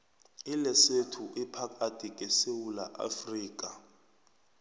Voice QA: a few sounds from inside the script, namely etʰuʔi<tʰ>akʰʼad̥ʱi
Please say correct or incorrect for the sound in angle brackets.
incorrect